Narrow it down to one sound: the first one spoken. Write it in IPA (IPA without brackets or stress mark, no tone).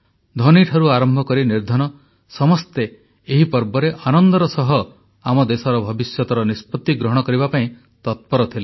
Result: d̪ʱ